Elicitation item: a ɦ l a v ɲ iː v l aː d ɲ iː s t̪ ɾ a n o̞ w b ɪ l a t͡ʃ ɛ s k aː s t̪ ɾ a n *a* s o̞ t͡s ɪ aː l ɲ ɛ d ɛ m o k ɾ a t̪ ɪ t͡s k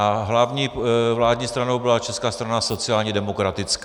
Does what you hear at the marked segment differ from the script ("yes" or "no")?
no